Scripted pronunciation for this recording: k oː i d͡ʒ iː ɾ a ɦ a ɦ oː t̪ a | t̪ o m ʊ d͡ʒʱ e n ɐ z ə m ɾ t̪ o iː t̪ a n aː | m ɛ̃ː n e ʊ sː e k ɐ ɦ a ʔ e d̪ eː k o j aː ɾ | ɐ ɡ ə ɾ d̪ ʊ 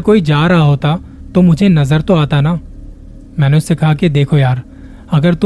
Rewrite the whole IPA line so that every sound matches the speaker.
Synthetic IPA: k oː i d͡ʒ aː ɾ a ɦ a ɦ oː t̪ a | t̪ o m ʊ d͡ʒʱ e n ɐ z ə ɾ t̪ o aː t̪ a n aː | m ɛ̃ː n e ʊ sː e k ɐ ɦ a k e d̪ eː kʰ o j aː ɾ | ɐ ɡ ə ɾ t̪ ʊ